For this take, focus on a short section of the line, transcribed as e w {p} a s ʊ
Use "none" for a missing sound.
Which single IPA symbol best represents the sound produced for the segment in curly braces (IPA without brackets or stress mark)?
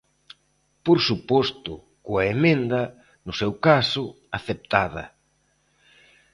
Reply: k